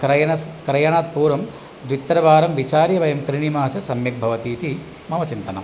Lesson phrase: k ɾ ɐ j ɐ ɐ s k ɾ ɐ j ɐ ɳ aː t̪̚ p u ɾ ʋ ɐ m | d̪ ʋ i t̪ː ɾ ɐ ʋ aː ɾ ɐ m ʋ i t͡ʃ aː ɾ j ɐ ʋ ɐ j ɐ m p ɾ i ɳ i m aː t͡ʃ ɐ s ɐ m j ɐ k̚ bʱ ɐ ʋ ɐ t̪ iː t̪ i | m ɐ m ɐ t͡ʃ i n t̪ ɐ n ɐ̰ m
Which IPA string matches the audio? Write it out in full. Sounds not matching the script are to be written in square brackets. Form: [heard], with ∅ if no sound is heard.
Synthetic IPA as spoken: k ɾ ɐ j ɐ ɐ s k ɾ ɐ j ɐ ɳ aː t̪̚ p [uː] ɾ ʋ ɐ m | d̪ ʋ i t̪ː ɾ ɐ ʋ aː ɾ ɐ m ʋ i t͡ʃ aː ɾ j ɐ ʋ ɐ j ɐ m [k] ɾ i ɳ i m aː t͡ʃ ɐ s ɐ m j ɐ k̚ bʱ ɐ ʋ ɐ t̪ iː t̪ i | m ɐ m ɐ t͡ʃ i n t̪ ɐ n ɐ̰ m